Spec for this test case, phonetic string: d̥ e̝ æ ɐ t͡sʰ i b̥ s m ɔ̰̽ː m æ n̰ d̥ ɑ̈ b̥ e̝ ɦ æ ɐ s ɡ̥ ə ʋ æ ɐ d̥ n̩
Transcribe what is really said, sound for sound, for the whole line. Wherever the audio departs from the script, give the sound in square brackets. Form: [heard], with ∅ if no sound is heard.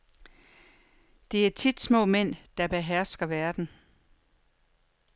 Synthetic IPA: d̥ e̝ æ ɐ t͡sʰ i [d̥] s m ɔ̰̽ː m [e] n̰ d̥ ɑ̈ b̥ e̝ ɦ æ ɐ s ɡ̥ [ɐ] ʋ æ ɐ d̥ n̩